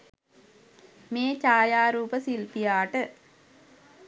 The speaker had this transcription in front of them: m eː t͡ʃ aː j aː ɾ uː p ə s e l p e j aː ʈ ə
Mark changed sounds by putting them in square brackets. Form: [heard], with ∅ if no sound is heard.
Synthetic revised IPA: m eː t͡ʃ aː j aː ɾ uː p ə s [i] l p [i] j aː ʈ ə